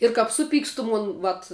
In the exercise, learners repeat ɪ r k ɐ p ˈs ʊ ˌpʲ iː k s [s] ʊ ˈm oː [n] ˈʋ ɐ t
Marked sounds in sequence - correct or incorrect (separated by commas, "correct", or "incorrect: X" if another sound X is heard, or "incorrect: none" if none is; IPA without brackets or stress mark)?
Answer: incorrect: t, correct